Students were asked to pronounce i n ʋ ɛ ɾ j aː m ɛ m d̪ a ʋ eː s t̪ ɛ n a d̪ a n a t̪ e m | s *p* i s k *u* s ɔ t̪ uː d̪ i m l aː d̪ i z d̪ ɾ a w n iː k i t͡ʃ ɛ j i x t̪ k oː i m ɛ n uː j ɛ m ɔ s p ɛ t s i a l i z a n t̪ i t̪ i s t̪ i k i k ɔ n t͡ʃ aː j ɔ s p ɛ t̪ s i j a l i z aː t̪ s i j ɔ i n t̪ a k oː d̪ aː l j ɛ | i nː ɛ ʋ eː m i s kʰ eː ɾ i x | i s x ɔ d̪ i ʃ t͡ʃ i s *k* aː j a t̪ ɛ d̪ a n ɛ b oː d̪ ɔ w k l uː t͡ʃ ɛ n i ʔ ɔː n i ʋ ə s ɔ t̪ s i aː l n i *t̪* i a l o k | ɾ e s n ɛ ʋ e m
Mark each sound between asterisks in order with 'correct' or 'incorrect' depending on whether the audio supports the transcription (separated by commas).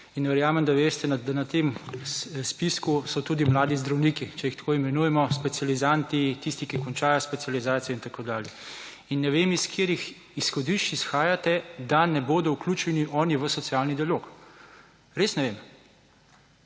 correct, correct, incorrect, incorrect